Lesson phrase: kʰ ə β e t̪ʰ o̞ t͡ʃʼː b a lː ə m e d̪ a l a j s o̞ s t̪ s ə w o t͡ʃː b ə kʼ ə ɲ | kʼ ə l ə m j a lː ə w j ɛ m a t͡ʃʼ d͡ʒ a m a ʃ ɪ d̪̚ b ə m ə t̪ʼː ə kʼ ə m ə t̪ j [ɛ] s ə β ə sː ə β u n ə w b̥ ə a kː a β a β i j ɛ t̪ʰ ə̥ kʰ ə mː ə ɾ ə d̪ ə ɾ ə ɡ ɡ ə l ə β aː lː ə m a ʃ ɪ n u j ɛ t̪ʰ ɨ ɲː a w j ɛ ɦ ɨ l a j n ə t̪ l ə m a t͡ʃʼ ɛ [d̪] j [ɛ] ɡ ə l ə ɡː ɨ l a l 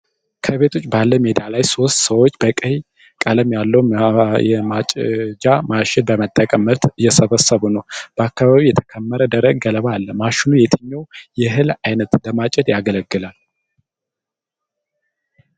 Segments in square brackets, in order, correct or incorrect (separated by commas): correct, correct, incorrect